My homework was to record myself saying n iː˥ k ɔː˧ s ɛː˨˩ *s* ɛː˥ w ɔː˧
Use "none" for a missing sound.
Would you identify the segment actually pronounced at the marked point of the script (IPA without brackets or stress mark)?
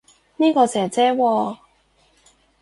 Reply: t͡s